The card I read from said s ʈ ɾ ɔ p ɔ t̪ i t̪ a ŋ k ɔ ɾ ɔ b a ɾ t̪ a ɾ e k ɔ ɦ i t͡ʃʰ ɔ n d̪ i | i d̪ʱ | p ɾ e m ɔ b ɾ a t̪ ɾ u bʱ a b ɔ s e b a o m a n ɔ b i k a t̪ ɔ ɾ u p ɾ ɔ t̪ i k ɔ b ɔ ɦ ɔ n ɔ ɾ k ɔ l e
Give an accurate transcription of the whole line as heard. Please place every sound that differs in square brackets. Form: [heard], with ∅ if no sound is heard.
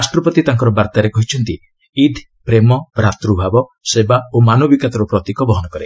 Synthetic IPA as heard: s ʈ ɾ ɔ p ɔ t̪ i t̪ a ŋ k ɔ ɾ ɔ b a ɾ t̪ a ɾ e k ɔ ɦ i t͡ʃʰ ɔ n [t̪] i | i d̪ʱ | p ɾ e m ɔ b ɾ a t̪ ɾ u bʱ a b ɔ s e b a o m a n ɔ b i k a t̪ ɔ ɾ u p ɾ ɔ t̪ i k ɔ b ɔ ɦ ɔ n ɔ [∅] k ɔ [ɾ] e